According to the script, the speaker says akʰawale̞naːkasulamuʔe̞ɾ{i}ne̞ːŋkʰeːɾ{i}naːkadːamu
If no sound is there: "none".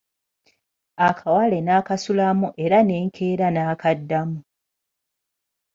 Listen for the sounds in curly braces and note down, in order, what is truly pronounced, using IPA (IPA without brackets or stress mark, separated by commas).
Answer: a, a